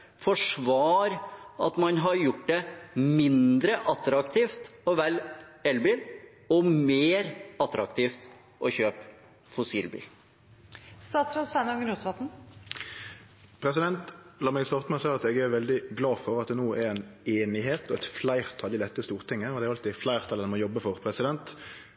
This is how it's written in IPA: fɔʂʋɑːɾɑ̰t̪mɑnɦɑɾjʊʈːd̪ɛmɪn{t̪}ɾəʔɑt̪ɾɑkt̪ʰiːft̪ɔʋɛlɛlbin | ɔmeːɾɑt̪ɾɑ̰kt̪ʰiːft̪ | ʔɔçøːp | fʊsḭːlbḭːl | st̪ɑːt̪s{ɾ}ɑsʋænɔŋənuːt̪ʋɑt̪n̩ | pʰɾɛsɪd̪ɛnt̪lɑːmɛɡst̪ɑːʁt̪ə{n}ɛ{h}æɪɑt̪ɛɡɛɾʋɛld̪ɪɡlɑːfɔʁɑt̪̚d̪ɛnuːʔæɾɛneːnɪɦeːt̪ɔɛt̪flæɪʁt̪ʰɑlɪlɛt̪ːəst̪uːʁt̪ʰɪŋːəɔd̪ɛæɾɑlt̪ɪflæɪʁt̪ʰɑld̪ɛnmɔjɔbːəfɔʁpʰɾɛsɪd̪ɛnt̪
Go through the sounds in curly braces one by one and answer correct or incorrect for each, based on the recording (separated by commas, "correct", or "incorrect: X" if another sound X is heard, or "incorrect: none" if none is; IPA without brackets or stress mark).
incorrect: d̪, correct, incorrect: m, incorrect: s